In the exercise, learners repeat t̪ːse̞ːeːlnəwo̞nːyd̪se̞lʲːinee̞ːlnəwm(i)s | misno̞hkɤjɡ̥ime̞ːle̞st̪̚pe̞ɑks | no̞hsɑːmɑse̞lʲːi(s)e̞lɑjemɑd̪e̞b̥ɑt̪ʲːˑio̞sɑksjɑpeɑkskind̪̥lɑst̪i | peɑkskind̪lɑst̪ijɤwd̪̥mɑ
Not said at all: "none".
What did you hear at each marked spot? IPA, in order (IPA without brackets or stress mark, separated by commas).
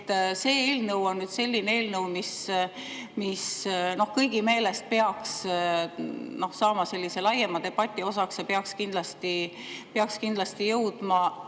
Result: i, s